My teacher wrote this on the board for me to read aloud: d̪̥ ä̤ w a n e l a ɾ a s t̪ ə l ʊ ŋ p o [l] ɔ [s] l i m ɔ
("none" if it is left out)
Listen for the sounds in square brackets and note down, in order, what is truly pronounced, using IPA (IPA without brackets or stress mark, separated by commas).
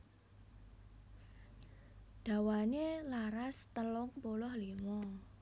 l, h